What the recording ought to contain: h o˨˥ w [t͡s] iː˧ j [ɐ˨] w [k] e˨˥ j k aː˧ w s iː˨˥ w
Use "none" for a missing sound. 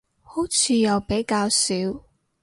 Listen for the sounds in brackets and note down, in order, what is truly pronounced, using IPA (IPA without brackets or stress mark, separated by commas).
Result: t͡sʰ, ɐ˨, p